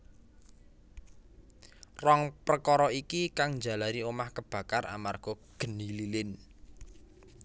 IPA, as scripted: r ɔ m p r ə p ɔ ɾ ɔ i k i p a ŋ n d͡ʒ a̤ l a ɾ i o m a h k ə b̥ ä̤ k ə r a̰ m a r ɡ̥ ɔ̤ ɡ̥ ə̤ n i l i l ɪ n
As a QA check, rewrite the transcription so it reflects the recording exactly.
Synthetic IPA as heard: r ɔ ŋ p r ə k ɔ ɾ ɔ i k i k a ŋ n d͡ʒ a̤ l a ɾ i o m a h k ə b̥ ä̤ k a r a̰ m a r ɡ̥ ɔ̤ ɡ̥ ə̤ n i l i l ɪ n

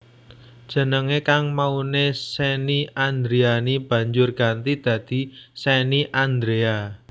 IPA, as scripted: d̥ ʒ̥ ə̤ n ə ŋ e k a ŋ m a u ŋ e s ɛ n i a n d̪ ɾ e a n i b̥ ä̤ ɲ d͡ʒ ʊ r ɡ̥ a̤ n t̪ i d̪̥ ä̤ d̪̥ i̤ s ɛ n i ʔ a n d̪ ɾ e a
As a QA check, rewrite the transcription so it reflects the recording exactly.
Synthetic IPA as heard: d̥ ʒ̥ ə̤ n ə ŋ e k a ŋ m a u n e s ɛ n i a n d̪ ɾ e a n i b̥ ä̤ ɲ d͡ʒ ʊ r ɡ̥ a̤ n t̪ i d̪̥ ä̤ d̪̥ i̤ s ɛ n i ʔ a n d̪ ɾ e a

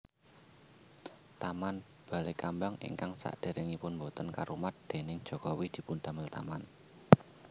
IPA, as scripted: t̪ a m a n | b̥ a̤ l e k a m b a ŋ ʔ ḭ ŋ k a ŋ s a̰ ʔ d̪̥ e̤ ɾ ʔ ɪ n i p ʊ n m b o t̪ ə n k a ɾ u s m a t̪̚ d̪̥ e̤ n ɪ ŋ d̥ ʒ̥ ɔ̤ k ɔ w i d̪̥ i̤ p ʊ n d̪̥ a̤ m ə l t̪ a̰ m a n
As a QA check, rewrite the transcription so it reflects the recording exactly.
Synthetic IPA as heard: t̪ a m a n | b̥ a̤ l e k a m b a ŋ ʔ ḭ ŋ k a ŋ s a̰ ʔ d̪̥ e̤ ɾ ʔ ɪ ŋ i p ʊ n m b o t̪ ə n k a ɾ u m a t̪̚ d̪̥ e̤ n ɪ ŋ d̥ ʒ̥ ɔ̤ k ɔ w i d̪̥ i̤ p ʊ n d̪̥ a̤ m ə l t̪ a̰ m a n

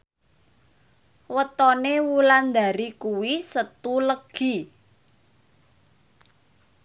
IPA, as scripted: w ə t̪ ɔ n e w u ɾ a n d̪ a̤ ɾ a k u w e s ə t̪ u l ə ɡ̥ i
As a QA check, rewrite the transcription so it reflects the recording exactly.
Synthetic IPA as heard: w ə t̪ ɔ n e w u l a n d̪ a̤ ɾ i k u w i s ə t̪ u l ə ɡ̥ i

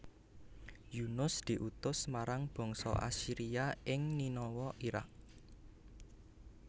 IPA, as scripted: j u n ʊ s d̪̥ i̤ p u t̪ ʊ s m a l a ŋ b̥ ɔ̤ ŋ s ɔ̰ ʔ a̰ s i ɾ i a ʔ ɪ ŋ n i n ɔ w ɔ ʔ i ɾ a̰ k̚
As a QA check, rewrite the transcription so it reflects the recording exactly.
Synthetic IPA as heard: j u n ʊ s d̪̥ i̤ ʔ u t̪ ʊ s m a ɾ a ŋ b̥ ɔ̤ ŋ s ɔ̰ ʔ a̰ s i ɾ i a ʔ ɪ ŋ n i n ɔ w ɔ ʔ i ɾ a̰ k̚

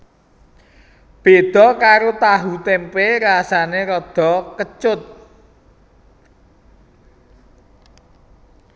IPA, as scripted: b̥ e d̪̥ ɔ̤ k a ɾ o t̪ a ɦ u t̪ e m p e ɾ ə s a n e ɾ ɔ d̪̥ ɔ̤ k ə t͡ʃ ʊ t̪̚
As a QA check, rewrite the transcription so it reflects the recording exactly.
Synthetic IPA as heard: b̥ e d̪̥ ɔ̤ k a ɾ o t̪ a ɦ u t̪ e m p e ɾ a s a n e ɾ ɔ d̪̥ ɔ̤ k ə t͡ʃ ʊ t̪̚

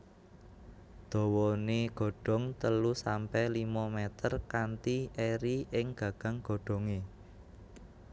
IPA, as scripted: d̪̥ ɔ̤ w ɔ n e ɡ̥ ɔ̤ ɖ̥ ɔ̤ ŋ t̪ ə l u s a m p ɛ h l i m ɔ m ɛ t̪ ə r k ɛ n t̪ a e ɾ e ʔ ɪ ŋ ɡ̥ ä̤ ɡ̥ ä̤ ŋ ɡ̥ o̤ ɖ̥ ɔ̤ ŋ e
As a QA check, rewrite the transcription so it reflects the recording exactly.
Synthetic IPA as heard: d̪̥ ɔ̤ w ɔ n e ɡ̥ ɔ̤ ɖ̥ ɔ̤ ŋ t̪ ə l u s a m p ɛ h l i m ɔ m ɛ t̪ ə r k a n t̪ i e ɾ i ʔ ɪ ŋ ɡ̥ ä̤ ɡ̥ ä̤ ŋ ɡ̥ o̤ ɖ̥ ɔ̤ ŋ e

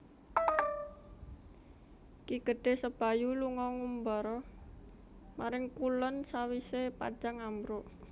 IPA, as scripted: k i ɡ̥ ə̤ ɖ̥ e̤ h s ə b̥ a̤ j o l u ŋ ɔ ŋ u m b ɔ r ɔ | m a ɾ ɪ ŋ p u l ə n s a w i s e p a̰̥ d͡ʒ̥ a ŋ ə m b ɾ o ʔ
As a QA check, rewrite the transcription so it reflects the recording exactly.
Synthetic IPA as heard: k i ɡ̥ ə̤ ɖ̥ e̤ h s ə b̥ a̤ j u l u ŋ ɔ ŋ u m b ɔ ɾ ɔ | m a ɾ ɪ ŋ k u l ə n s a w i s e p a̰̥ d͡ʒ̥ a ŋ a m b ɾ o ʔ

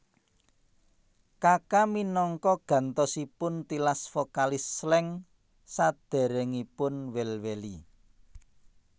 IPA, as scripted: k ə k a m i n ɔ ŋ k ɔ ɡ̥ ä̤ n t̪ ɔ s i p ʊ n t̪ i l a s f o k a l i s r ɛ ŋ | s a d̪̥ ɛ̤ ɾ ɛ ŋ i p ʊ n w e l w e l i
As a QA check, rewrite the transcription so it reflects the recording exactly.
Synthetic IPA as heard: k a k a m i n ɔ ŋ k ɔ ɡ̥ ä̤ n t̪ ɔ s i p ʊ n t̪ i l a s f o k a l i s l ɛ ŋ | s a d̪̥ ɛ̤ ɾ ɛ ŋ i p ʊ n w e l w e l i

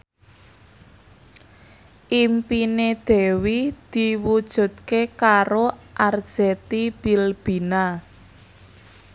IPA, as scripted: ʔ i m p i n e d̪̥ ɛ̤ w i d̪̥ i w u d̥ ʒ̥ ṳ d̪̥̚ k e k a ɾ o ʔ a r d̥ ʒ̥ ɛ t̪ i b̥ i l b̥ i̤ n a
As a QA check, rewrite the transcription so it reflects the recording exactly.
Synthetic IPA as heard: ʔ i m p i n e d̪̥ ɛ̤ w i d̪̥ i w u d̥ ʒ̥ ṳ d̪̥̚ k e k a ɾ o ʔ a r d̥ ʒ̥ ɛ t̪ i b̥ i l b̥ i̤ n a

